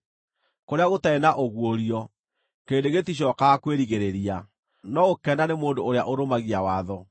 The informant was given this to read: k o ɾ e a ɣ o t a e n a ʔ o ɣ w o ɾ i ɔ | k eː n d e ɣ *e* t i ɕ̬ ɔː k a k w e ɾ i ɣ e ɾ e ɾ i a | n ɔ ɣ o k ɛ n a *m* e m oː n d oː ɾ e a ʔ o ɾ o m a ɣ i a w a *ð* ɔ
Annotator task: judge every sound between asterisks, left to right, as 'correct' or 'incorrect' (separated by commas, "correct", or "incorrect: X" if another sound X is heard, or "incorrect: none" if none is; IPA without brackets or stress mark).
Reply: correct, incorrect: n, correct